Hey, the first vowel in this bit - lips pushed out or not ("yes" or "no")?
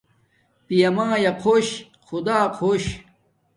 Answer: no